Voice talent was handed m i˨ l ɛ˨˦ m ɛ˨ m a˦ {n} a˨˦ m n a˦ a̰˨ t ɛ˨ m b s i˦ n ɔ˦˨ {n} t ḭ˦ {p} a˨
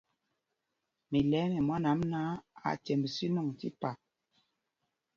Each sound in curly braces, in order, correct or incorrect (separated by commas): correct, incorrect, correct